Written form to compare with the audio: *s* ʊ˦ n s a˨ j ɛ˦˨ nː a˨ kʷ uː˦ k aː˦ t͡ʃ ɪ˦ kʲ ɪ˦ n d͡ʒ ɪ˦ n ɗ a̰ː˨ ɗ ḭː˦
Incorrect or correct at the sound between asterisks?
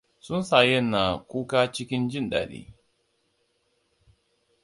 correct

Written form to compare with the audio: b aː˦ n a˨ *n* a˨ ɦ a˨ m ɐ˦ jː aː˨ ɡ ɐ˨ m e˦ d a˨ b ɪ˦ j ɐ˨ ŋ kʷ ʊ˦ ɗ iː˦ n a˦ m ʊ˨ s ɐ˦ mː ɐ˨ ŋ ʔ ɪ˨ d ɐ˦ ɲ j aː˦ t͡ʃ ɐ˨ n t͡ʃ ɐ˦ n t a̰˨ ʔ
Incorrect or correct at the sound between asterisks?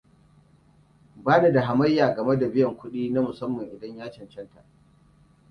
incorrect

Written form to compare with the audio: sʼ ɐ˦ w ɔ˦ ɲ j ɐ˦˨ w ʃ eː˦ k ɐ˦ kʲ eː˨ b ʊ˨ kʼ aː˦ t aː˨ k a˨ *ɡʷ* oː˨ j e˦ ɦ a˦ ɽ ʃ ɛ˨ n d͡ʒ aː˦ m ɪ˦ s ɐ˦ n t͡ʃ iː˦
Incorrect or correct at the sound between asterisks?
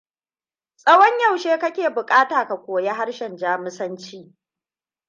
incorrect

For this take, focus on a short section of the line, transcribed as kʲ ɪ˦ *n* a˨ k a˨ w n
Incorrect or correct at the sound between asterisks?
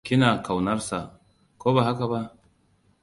correct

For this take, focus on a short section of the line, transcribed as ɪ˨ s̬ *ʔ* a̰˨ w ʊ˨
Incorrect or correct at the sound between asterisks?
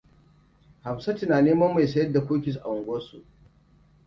correct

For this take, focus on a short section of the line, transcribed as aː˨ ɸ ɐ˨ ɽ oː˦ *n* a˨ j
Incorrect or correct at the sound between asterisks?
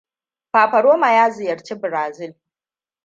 incorrect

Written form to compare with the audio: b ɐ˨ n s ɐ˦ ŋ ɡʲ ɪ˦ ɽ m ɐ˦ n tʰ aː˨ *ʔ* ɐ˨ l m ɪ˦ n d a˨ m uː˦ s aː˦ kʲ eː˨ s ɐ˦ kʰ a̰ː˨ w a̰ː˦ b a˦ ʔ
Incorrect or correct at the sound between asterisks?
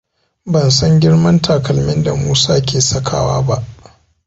incorrect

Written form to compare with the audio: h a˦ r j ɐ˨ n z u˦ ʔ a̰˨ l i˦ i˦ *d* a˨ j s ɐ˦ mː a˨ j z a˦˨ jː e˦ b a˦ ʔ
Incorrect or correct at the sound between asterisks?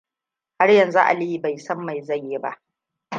incorrect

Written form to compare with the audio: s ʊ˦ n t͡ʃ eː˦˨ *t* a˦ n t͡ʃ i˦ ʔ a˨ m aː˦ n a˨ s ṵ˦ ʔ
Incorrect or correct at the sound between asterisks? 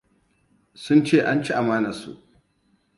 incorrect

